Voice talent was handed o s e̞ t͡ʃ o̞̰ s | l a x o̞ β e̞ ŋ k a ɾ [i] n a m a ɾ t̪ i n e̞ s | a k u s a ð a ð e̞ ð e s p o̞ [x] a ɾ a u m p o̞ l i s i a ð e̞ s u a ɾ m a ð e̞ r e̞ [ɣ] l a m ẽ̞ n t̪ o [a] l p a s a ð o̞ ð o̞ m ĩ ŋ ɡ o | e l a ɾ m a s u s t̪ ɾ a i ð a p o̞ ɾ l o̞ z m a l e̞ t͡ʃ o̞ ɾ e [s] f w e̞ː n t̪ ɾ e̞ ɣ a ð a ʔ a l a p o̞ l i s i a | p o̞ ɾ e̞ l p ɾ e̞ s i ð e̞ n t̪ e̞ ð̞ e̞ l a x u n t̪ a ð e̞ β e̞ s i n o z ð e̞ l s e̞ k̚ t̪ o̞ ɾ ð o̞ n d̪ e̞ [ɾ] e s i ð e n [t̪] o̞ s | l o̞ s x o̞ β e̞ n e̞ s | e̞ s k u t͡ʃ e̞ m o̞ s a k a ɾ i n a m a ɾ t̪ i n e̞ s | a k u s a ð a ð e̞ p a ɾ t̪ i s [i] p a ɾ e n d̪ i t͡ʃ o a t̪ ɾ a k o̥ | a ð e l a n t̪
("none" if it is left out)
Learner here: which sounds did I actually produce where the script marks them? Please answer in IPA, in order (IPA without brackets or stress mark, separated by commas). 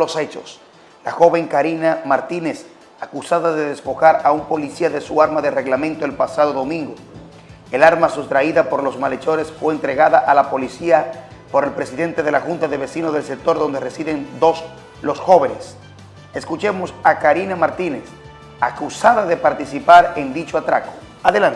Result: i, x, ɣ, e, s, r, d̪, i